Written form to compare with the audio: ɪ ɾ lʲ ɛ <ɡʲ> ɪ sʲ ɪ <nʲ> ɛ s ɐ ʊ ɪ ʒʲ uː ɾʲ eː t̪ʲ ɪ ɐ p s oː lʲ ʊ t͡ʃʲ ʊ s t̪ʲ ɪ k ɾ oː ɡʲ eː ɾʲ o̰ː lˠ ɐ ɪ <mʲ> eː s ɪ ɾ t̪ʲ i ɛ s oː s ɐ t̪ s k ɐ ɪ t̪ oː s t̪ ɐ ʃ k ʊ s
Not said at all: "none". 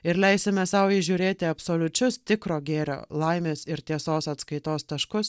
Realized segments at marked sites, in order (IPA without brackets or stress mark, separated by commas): none, mʲ, mʲ